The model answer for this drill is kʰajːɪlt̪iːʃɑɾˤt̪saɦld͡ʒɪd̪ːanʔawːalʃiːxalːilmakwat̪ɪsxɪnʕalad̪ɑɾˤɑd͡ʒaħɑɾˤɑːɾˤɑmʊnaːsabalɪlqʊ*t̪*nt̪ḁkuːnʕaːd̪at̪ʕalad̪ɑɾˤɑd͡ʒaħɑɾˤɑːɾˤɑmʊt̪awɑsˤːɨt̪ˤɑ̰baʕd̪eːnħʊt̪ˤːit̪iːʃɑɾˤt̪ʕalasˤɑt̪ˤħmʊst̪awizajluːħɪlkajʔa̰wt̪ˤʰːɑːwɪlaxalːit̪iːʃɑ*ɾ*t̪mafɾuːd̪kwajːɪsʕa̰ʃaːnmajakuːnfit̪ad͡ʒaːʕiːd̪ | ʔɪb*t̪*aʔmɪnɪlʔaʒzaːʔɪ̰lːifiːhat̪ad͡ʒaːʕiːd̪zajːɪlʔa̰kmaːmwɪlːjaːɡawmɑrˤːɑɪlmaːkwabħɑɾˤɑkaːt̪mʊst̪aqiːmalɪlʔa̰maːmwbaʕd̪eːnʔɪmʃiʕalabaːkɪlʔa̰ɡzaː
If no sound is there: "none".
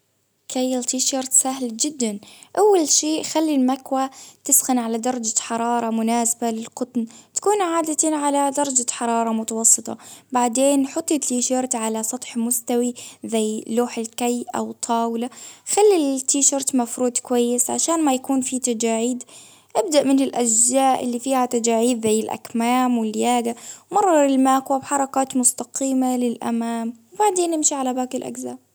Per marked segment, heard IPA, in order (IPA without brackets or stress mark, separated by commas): t̪, ɾ, d̪